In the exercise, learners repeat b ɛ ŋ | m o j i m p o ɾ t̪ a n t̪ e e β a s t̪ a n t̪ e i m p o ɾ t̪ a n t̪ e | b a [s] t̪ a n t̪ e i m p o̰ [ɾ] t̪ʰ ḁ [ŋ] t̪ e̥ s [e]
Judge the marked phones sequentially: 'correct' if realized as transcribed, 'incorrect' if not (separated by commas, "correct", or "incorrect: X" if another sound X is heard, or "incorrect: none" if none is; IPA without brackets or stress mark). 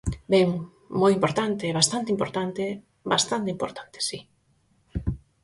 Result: correct, correct, incorrect: n, incorrect: i